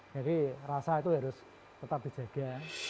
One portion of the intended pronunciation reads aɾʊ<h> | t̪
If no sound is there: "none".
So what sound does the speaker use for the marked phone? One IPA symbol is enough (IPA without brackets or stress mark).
s